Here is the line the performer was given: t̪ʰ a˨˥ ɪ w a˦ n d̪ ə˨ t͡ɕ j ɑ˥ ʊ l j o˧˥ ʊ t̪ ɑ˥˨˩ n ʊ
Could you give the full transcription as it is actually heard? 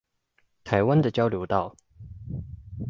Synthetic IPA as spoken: t̪ʰ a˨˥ ɪ w a˦ n d̪ ə˨ t͡ɕ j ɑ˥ ʊ l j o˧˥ ʊ t̪ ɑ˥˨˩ ʊ

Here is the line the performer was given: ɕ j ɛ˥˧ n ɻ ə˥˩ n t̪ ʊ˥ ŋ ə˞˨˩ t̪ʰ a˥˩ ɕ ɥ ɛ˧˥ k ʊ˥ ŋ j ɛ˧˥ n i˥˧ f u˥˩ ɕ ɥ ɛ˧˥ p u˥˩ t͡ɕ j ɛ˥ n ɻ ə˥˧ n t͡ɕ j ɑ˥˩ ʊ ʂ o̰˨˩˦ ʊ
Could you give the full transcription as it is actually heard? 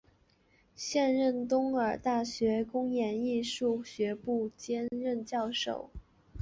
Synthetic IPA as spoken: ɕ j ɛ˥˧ n ɻ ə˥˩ n t̪ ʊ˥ ŋ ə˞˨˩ t̪ a˥˩ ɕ ɥ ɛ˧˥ k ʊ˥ ŋ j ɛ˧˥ n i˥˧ ʂ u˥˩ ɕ ɥ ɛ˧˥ p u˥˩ t͡ɕ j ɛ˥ n ɻ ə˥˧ n t͡ɕ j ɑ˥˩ ʊ ʂ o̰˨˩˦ ʊ

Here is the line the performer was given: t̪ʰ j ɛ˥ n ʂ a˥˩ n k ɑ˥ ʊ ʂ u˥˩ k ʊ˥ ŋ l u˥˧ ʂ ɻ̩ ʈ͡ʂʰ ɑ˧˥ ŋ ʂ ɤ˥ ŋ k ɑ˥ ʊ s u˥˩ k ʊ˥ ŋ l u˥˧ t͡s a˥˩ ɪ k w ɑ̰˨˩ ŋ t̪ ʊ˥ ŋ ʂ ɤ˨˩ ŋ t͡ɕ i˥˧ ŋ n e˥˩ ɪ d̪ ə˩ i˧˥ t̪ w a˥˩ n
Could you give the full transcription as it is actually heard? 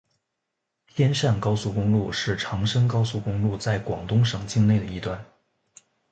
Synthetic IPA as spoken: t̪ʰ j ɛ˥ n ʂ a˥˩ n k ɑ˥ ʊ s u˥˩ k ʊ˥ ŋ l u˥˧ ʂ ɻ̩ ʈ͡ʂʰ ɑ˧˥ ŋ ʂ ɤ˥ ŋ k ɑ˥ ʊ s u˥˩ k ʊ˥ ŋ l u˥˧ t͡s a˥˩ ɪ k w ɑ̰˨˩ ŋ t̪ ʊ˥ ŋ ʂ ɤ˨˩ ŋ t͡ɕ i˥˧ ŋ n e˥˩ ɪ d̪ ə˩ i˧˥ t̪ w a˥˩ n

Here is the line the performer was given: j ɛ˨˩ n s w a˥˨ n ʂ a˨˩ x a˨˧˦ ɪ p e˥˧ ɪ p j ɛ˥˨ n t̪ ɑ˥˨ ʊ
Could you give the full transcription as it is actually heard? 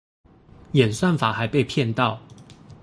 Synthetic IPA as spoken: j ɛ˨˩ n s w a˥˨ n f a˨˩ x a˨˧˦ ɪ p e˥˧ ɪ pʰ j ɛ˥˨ n t̪ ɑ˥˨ ʊ

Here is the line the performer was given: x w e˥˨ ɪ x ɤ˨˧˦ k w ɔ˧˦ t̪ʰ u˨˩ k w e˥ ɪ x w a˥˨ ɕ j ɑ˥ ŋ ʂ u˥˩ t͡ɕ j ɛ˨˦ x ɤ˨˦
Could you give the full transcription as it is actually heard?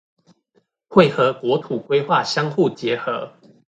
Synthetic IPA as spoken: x w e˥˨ ɪ x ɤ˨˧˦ k w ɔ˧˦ t̪ʰ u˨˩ k w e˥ ɪ x w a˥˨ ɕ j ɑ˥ ŋ x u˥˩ t͡ɕ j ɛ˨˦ x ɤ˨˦

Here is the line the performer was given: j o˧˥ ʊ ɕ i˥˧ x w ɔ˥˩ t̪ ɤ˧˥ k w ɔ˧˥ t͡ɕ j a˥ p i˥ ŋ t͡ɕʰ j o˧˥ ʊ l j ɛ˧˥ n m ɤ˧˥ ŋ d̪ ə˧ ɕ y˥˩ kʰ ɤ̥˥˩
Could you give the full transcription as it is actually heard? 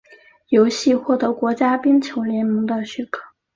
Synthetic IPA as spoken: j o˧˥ ʊ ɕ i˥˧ x w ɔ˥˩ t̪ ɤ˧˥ k w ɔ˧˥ t͡ɕ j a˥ p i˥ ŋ t͡ɕʰ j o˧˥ ʊ l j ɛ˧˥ n m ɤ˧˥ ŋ d̪ ə˧ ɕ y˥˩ kʰ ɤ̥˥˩

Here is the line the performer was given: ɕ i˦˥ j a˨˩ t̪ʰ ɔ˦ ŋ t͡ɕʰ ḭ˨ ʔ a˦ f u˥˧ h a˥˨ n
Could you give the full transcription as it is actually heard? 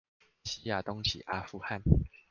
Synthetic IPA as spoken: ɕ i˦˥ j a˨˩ t̪ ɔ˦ ŋ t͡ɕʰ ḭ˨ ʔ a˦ f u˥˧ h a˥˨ n

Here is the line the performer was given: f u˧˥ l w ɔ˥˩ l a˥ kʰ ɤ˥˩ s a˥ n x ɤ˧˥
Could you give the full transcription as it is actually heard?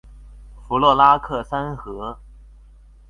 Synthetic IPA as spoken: f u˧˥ l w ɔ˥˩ l a˥ kʰ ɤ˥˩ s a˥ n x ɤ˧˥

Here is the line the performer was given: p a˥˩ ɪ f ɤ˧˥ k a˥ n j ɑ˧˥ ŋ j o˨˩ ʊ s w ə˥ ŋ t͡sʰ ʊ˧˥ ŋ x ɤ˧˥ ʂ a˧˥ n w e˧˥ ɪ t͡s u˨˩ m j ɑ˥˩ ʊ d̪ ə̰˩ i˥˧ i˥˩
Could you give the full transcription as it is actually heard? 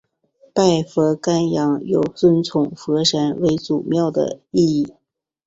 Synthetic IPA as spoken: p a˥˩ ɪ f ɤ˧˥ k a˥ n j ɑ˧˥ ŋ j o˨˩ ʊ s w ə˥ n t͡sʰ ʊ˨˩ ŋ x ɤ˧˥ ʂ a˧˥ n w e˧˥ ɪ t͡s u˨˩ m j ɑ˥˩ ʊ d̪ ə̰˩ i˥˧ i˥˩

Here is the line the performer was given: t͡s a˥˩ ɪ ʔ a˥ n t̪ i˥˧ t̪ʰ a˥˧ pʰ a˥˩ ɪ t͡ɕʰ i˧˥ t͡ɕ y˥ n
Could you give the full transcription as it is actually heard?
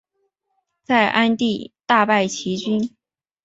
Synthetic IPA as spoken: t͡s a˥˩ ɪ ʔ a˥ n t̪ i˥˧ t̪ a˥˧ p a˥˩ ɪ t͡ɕʰ i˧˥ t͡ɕ y˥ n

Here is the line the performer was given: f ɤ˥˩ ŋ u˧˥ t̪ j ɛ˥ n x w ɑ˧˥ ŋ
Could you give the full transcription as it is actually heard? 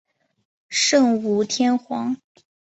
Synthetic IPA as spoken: ʂ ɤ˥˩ ŋ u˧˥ t̪ʰ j ɛ˥ n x w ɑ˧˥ ŋ

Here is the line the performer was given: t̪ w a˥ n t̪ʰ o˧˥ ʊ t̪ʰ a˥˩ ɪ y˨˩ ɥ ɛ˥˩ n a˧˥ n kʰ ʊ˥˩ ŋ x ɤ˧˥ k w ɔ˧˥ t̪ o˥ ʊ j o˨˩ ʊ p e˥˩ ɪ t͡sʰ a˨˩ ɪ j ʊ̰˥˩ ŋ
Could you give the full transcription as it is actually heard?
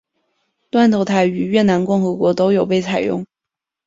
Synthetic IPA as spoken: t̪ w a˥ n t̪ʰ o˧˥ ʊ t̪ʰ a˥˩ ɪ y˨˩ ɥ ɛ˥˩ n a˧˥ n k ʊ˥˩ ŋ x ɤ˧˥ k w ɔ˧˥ t̪ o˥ ʊ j o˨˩ ʊ p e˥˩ ɪ t͡sʰ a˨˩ ɪ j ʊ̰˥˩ ŋ

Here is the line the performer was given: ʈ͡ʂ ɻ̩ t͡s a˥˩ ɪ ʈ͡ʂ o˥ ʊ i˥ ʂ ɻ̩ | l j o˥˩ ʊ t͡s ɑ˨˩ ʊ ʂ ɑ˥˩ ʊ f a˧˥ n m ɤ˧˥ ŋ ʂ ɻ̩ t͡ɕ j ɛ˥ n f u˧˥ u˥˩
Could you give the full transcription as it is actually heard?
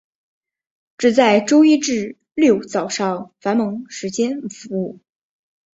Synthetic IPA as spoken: ʈ͡ʂ ɻ̩ t͡s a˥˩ ɪ ʈ͡ʂ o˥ ʊ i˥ ʈ͡ʂ ɻ̩ | l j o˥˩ ʊ t͡s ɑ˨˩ ʊ ʂ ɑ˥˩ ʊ f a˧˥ n m ɤ˧˥ ŋ ʂ ɻ̩ t͡ɕ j ɛ˥ n f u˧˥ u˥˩

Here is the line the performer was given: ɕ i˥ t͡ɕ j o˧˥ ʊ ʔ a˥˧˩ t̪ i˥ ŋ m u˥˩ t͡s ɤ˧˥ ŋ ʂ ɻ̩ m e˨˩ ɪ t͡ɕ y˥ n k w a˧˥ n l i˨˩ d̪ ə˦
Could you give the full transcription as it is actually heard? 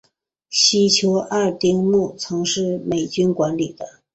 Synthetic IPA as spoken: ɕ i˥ t͡ɕʰ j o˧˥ ʊ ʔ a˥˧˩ t̪ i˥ ŋ m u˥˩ t͡sʰ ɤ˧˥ ŋ ʂ ɻ̩ m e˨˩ ɪ t͡ɕ y˥ n k w a˧˥ n l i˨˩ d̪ ə˦

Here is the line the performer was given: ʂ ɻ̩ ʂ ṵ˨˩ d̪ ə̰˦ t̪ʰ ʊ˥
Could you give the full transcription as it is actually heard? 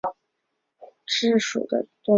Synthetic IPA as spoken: ʈ͡ʂ ɻ̩ ʂ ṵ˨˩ d̪ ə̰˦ t̪ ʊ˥

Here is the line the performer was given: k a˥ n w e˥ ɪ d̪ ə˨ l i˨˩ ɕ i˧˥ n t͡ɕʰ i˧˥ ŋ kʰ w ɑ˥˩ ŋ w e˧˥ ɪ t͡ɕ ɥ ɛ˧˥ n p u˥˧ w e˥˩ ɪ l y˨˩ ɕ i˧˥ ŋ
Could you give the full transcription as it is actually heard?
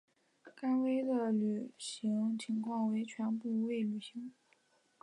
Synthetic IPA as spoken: k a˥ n w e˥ ɪ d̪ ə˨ l y˨˩ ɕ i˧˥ ŋ t͡ɕʰ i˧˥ ŋ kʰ w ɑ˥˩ ŋ w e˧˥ ɪ t͡ɕʰ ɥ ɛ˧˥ n p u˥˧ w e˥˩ ɪ l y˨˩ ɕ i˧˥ ŋ

